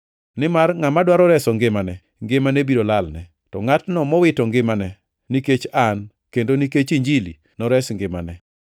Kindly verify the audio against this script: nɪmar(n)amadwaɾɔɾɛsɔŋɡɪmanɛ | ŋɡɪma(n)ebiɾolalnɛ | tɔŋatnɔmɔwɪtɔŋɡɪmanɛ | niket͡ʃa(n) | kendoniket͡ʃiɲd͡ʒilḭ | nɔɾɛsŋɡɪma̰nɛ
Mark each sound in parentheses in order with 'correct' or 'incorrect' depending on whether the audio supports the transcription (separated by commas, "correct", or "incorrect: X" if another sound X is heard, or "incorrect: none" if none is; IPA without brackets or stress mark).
incorrect: ŋ, correct, correct